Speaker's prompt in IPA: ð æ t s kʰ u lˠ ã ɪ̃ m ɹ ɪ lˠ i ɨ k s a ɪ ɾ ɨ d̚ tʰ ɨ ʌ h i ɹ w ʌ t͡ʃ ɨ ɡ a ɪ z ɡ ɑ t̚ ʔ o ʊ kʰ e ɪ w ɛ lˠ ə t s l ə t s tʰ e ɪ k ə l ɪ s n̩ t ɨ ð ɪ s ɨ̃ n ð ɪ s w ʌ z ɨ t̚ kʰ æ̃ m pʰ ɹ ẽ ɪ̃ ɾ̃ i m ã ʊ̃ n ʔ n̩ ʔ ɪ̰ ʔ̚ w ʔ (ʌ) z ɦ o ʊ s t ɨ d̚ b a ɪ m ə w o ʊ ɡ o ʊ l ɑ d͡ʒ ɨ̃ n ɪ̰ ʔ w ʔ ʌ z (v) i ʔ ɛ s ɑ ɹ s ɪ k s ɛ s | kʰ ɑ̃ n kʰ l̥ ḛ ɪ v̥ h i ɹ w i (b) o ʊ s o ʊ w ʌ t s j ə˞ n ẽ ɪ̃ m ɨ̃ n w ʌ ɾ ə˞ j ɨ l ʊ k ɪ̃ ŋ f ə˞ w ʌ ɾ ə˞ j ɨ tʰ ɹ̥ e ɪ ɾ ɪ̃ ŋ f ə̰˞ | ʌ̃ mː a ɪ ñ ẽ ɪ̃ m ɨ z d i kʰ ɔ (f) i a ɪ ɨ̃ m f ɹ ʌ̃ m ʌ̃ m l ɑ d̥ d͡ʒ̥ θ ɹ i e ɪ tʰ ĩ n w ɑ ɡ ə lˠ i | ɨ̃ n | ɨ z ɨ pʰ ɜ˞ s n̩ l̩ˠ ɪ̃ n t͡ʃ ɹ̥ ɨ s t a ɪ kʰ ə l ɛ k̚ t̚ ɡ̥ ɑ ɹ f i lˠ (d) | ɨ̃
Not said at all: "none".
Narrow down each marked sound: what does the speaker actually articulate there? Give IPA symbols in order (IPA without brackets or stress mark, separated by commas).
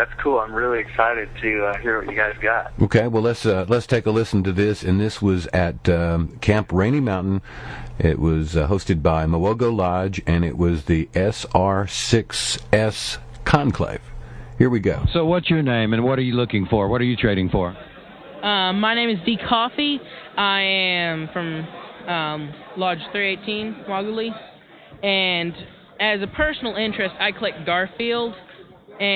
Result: ʌ, ð, ɡ, f, d